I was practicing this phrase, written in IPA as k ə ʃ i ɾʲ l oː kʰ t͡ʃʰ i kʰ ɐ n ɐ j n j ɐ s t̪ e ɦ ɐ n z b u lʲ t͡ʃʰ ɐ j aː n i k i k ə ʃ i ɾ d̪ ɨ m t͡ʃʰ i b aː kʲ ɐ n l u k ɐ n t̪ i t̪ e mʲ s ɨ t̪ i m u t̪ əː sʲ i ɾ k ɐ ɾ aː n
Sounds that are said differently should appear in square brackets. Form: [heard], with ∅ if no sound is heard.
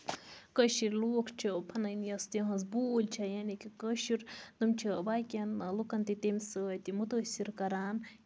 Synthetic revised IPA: k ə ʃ i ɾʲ l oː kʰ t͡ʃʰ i [pʰ] ɐ n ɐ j n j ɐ s t̪ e ɦ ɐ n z b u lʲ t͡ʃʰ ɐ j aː n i k i k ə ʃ i ɾ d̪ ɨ m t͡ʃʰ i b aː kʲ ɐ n l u k ɐ n t̪ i t̪ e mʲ s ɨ t̪ i m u t̪ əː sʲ i ɾ k ɐ ɾ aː n